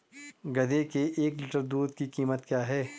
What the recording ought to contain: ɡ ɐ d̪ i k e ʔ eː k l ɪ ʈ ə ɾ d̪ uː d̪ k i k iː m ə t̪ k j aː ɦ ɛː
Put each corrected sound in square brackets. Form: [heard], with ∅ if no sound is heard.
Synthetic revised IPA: ɡ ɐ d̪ [e] k e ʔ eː k l ɪ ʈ ə ɾ d̪ uː d̪ k i k iː m ə t̪ k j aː ɦ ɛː